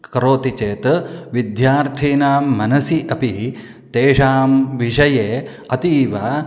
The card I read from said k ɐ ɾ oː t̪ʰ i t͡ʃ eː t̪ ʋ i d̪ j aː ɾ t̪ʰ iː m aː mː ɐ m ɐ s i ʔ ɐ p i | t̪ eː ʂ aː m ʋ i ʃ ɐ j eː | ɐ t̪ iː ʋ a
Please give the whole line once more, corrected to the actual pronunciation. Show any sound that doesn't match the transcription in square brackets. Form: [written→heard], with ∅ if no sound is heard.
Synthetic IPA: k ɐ ɾ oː [t̪ʰ→t̪] i t͡ʃ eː t̪ ʋ i d̪ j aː ɾ t̪ʰ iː [m→n] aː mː ɐ [m→n] ɐ s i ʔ ɐ p i | t̪ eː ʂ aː m ʋ i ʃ ɐ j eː | ɐ t̪ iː ʋ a